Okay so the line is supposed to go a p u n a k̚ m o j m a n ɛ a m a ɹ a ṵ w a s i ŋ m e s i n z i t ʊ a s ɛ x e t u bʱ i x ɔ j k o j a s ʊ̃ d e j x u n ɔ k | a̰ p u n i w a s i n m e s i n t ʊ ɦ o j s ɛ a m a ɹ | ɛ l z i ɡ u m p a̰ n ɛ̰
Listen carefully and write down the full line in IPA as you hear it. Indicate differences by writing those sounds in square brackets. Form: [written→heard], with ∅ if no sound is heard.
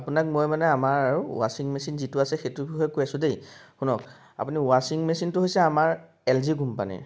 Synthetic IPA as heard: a p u n a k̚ m o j m a n ɛ a m a ɹ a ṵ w a s i ŋ m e s i n z i t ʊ a s ɛ x e t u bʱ i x ɔ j k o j a s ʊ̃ d e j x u n ɔ k | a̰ p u n i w a s i [n→ŋ] m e s i n t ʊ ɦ o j s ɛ a m a ɹ | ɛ l z i ɡ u m p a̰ n ɛ̰